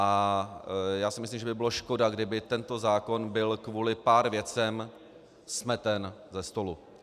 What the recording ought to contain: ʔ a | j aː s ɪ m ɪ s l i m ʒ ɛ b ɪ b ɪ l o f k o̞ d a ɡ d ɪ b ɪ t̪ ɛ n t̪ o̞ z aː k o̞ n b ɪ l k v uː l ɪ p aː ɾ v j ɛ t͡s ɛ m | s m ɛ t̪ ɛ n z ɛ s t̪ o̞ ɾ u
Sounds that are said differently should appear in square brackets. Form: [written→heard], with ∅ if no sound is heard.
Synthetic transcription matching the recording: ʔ a | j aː s ɪ m ɪ s l i m ʒ ɛ b ɪ b ɪ l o [f→ʃ] k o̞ d a ɡ d ɪ b ɪ t̪ ɛ n t̪ o̞ z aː k o̞ n b ɪ l k v uː l ɪ p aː ɾ v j ɛ t͡s ɛ m | s m ɛ t̪ ɛ n z ɛ s t̪ o̞ [ɾ→l] u